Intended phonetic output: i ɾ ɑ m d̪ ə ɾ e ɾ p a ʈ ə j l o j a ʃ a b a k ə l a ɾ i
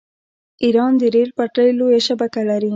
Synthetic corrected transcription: i ɾ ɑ n d̪ ə ɾ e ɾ p a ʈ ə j l o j a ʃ a b a k a l a ɾ i